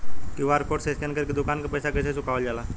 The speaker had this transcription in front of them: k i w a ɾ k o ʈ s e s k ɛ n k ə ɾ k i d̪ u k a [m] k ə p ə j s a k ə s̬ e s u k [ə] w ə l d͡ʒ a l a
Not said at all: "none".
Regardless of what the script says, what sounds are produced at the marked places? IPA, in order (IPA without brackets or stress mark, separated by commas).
n, a